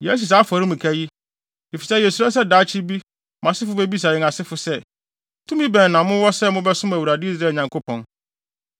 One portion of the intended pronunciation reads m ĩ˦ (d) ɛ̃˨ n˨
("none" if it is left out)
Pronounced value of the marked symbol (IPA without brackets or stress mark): b